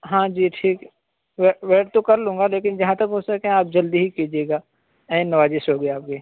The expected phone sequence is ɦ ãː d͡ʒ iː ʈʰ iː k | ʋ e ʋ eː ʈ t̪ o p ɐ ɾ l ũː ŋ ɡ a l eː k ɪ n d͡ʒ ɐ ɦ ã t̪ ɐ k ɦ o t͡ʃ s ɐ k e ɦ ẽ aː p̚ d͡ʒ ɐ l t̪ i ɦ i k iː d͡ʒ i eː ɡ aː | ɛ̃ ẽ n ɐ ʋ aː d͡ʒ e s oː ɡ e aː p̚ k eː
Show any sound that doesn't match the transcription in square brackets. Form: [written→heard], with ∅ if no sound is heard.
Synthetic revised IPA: ɦ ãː d͡ʒ iː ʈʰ iː k | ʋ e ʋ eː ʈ t̪ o [p→k] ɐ ɾ l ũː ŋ ɡ a l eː k ɪ n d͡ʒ ɐ ɦ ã t̪ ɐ k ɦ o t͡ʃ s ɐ k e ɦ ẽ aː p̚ d͡ʒ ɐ l [t̪→d̪] i ɦ i k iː d͡ʒ i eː ɡ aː | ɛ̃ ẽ n ɐ ʋ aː d͡ʒ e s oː ɡ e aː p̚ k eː